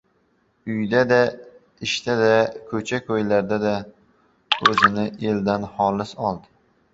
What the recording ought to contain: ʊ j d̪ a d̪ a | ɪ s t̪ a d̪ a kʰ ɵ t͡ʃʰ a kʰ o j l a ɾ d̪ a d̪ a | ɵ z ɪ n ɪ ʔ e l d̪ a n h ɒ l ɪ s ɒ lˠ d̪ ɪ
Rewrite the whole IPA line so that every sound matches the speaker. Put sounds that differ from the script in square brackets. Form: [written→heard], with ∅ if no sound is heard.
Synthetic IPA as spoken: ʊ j d̪ a d̪ a | ɪ [s→ʃ] t̪ a d̪ a kʰ ɵ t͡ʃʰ a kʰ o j l a ɾ d̪ a d̪ a | ɵ z ɪ n ɪ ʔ e l d̪ a n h ɒ l ɪ s ɒ lˠ d̪ ɪ